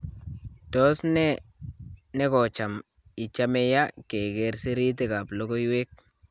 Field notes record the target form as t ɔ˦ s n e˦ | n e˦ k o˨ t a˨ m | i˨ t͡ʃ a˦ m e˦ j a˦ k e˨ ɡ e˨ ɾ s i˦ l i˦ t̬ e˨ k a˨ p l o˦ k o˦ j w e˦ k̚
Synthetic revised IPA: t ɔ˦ s n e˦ | n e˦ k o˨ t͡ʃ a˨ m | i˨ t͡ʃ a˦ m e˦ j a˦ k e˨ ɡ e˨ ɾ s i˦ ɾ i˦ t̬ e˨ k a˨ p l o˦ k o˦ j w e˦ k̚